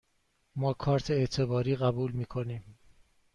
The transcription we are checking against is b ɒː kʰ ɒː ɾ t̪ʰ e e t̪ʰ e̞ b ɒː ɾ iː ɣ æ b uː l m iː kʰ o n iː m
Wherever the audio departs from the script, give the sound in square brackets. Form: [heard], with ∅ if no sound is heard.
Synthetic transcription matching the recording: [m] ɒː kʰ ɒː ɾ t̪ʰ e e t̪ʰ e̞ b ɒː ɾ iː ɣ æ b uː l m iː kʰ o n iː m